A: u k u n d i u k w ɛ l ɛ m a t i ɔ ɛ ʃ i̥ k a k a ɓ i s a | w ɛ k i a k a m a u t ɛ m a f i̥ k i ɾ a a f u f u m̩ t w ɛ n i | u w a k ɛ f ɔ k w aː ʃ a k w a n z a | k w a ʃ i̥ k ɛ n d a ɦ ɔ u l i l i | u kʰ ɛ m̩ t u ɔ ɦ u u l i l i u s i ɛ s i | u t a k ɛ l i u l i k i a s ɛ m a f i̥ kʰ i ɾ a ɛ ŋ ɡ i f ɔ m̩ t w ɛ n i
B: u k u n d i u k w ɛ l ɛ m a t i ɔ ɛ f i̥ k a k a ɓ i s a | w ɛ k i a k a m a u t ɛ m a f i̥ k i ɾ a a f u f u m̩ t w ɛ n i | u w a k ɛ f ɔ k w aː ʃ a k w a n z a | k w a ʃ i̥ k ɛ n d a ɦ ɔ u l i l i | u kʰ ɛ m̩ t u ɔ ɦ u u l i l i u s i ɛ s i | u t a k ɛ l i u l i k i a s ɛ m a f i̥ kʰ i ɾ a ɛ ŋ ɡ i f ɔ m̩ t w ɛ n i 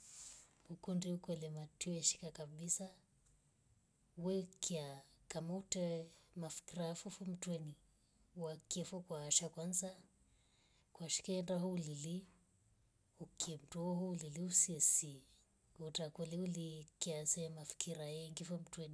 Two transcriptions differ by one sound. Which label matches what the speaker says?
A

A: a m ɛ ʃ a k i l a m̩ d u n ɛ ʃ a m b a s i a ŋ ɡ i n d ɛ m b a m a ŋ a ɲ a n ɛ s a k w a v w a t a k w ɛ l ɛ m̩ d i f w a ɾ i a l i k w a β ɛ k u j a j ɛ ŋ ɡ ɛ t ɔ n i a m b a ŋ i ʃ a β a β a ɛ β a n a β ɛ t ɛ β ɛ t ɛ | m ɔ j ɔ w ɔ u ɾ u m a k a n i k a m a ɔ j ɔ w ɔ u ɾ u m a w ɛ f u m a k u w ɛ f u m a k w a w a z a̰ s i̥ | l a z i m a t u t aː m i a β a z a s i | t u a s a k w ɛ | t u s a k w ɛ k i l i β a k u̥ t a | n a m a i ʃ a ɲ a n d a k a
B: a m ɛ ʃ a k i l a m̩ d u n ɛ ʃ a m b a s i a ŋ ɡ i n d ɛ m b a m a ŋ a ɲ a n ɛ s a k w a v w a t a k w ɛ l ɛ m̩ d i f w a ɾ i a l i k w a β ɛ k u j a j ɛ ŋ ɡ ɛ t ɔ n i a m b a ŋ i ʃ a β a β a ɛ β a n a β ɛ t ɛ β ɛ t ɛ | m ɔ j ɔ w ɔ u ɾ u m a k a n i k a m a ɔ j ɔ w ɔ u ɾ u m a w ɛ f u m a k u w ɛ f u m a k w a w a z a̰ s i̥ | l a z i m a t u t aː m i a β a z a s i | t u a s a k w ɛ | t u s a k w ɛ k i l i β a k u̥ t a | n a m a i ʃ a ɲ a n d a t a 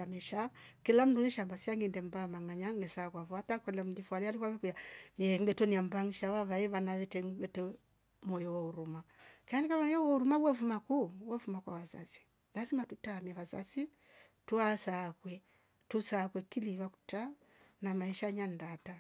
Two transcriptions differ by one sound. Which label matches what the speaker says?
B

